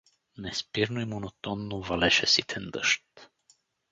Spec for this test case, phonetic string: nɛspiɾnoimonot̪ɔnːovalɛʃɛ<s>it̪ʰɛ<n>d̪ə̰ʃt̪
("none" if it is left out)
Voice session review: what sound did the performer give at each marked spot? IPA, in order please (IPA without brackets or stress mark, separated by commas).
s, n